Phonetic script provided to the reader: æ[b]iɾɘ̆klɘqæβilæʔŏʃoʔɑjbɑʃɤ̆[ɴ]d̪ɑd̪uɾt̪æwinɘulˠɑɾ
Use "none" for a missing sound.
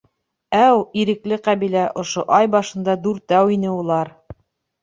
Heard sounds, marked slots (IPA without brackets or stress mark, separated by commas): w, n